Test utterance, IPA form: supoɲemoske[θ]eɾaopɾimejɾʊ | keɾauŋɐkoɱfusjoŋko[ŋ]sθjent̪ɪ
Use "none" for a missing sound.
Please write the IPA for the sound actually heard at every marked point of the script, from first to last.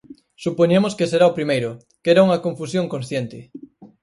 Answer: s, n

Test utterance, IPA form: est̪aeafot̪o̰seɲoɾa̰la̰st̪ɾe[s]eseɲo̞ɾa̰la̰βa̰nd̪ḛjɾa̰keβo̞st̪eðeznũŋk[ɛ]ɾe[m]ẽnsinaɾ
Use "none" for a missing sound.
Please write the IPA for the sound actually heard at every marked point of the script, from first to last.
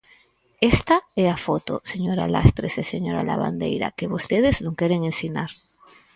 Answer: s, e, ŋ

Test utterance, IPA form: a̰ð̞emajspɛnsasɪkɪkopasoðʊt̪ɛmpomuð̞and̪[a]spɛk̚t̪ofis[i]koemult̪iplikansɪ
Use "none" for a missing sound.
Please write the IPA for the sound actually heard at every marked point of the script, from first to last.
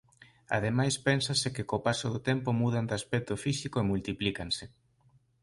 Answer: a, i

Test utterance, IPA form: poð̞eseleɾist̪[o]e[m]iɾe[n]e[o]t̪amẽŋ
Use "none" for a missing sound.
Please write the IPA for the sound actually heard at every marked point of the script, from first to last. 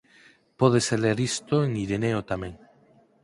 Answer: o, ŋ, n, o

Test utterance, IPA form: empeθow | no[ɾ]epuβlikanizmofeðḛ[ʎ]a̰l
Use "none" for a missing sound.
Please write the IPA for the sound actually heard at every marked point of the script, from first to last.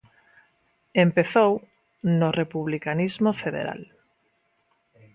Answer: r, ɾ

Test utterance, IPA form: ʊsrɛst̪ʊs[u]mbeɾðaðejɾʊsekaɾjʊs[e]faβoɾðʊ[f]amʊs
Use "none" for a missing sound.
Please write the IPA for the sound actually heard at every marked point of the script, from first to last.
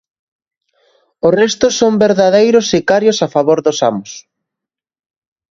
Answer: o, a, s

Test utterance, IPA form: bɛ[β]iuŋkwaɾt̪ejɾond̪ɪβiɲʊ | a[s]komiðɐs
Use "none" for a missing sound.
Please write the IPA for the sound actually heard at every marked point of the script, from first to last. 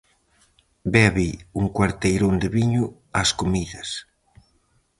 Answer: β, s

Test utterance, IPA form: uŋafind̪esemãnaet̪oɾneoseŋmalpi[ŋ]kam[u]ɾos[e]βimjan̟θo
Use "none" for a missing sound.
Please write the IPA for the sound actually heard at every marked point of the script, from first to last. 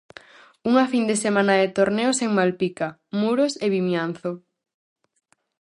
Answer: none, u, e

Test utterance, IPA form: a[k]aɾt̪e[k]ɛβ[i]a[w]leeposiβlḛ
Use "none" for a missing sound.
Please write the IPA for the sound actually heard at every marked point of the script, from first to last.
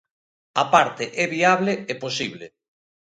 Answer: p, ʔ, i, β

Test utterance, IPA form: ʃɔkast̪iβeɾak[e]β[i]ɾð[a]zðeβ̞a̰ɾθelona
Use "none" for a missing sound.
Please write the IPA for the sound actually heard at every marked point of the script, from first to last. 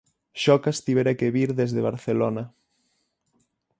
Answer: e, i, e

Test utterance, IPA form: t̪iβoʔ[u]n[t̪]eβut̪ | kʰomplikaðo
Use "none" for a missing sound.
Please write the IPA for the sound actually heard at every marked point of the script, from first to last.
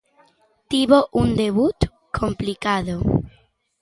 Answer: u, d̪

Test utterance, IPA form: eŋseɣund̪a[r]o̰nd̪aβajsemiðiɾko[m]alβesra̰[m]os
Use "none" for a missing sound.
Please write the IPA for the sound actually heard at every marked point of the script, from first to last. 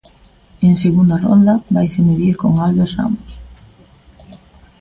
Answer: r, ŋ, m

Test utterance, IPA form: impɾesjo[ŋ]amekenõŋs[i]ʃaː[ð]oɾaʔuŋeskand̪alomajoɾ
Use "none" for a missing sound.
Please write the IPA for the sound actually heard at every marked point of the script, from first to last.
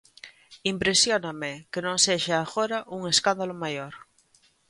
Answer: n, e, ɣ

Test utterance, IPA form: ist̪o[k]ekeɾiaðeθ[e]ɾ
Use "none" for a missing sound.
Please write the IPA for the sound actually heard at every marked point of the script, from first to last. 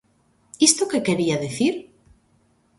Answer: k, i

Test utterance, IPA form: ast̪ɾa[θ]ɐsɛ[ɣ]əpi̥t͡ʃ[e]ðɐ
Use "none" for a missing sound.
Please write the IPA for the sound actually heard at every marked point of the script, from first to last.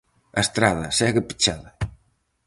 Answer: ð, ɣ, a

